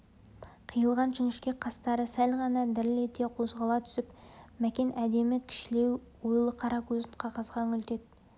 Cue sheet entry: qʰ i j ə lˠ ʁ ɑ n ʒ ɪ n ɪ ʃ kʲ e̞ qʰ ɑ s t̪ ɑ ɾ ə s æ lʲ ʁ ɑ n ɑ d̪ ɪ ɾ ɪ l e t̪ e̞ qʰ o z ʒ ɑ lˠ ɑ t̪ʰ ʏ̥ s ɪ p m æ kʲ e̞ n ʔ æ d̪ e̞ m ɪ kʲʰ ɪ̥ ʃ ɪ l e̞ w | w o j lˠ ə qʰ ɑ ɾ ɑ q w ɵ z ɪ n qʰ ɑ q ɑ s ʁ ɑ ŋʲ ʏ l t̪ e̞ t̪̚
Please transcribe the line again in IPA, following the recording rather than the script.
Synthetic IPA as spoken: qʰ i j ə lˠ ʁ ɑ n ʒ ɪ ŋ ɪ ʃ kʲ e̞ qʰ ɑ s t̪ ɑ ɾ ə s æ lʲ ʁ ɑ n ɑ d̪ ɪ ɾ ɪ l e t̪ e̞ qʰ o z ʁ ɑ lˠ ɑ t̪ʰ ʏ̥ s ɪ p m æ kʲ e̞ n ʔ æ d̪ e̞ m ɪ kʲʰ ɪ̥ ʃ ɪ l e̞ w | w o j lˠ ə qʰ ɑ ɾ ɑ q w ɵ z ɪ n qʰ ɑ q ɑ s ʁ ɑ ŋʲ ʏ l t̪ e̞ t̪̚